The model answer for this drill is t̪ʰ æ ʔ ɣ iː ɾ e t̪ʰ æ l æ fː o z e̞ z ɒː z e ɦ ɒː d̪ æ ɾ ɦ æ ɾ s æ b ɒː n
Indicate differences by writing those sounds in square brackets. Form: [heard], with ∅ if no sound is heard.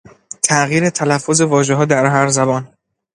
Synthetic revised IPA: t̪ʰ æ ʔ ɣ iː ɾ e t̪ʰ æ l æ fː o z e̞ [v] ɒː [ʒ] e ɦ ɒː d̪ æ ɾ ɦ æ ɾ [z] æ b ɒː n